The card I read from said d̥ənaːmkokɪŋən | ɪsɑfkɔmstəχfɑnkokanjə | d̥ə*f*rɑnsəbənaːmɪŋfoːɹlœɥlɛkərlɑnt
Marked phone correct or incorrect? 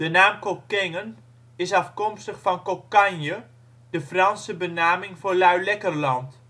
correct